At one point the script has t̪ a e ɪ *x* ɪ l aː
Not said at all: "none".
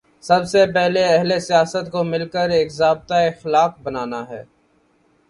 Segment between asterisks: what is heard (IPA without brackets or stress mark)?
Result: x